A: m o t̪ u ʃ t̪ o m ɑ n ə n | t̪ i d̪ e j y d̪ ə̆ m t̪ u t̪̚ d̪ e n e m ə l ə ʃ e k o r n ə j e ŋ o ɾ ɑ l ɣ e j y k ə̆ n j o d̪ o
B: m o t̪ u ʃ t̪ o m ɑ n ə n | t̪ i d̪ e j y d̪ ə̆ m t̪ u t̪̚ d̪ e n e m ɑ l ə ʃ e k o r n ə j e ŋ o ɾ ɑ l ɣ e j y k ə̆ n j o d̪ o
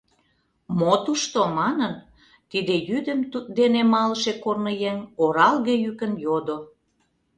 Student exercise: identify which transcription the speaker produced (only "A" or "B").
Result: B